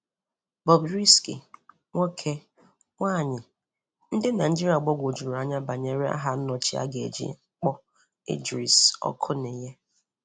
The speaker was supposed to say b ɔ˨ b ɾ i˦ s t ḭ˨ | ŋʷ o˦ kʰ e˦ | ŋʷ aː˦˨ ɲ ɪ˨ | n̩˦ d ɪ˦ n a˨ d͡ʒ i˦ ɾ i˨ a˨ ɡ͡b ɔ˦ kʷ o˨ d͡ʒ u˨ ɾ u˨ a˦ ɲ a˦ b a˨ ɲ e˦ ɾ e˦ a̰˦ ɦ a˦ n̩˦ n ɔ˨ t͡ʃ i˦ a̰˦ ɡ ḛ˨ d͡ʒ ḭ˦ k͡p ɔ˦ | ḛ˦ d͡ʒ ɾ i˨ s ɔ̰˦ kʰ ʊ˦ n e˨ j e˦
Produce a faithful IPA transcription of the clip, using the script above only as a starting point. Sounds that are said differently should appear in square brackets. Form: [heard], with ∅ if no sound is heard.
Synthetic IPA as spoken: b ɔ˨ b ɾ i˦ s [k] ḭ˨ | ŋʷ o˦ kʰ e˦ | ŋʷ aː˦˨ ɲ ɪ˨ | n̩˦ d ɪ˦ n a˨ d͡ʒ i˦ ɾ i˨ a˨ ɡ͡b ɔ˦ [ɡʷ] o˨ d͡ʒ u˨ ɾ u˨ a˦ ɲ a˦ b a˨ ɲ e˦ ɾ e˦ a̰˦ ɦ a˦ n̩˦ n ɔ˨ t͡ʃ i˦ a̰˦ ɡ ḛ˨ d͡ʒ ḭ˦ k͡p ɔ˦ | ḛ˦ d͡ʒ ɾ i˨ s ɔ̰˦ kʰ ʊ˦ n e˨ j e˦